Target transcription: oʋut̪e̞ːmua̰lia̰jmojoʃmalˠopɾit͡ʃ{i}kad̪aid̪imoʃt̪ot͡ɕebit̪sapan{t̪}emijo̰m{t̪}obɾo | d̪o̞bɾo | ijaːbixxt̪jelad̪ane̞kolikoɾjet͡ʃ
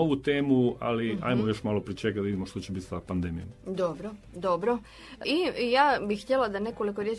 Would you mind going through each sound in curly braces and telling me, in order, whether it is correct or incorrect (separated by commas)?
incorrect, incorrect, incorrect